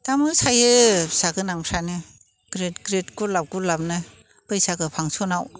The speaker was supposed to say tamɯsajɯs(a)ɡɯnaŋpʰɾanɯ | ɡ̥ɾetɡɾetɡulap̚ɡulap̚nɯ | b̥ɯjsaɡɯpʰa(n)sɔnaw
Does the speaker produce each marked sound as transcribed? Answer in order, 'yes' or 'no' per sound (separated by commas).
yes, no